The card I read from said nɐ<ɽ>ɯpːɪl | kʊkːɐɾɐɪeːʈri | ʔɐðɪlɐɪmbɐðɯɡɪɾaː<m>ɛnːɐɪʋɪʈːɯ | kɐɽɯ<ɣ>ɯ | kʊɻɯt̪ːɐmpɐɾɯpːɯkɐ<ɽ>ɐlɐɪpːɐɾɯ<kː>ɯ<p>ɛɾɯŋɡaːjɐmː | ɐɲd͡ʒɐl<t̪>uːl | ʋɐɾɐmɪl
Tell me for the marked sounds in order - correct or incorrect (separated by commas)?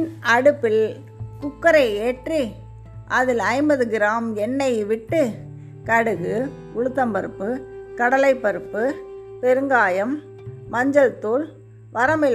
correct, correct, correct, correct, incorrect, correct, correct